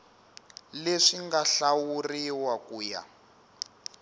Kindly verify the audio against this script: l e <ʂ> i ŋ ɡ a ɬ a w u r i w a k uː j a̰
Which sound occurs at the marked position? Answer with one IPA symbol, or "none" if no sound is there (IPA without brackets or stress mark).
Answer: ʂ